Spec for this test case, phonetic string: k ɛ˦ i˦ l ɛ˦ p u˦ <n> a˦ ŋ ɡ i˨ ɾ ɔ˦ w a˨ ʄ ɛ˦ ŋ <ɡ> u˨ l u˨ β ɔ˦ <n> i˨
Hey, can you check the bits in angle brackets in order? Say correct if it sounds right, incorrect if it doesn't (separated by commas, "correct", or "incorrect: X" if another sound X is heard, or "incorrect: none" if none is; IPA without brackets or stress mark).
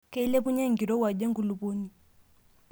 incorrect: ɲ, correct, correct